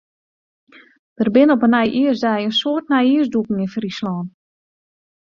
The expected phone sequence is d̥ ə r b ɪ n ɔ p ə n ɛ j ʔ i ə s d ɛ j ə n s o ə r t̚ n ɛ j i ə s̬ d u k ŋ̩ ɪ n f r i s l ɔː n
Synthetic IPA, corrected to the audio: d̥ ə r b ɪ n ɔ p ə n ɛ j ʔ i ə s d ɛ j ə n s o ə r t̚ n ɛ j i ə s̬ d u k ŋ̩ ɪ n f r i s l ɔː n